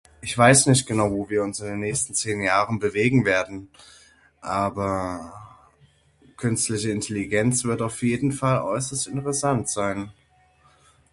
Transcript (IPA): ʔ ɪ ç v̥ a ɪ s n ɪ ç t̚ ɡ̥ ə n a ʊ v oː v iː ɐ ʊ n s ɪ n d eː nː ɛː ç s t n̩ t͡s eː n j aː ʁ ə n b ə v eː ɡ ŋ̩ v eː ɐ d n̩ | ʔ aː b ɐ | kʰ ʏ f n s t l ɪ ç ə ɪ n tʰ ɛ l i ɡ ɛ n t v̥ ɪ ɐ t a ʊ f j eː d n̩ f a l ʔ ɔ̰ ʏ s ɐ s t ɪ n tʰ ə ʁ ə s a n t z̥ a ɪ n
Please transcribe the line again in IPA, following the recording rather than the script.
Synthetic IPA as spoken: ʔ ɪ ç v̥ a ɪ s n ɪ ç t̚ ɡ̥ ə n a ʊ v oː v iː ɐ ʊ n s ɪ n d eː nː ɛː ç s t n̩ t͡s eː n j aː ʁ ə n b ə v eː ɡ ŋ̩ v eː ɐ d n̩ | ʔ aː b ɐ | kʰ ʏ n s t l ɪ ç ə ɪ n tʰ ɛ l i ɡ ɛ n t͡s v̥ ɪ ɐ t a ʊ f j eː d n̩ f a l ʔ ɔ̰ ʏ s ɐ s t ɪ n t ə ʁ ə s a n t z̥ a ɪ n